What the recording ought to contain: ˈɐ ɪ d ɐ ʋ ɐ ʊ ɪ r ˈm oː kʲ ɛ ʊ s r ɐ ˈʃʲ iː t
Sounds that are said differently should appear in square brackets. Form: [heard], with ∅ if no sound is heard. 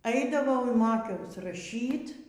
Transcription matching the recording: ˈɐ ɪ d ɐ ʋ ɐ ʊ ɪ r ˈm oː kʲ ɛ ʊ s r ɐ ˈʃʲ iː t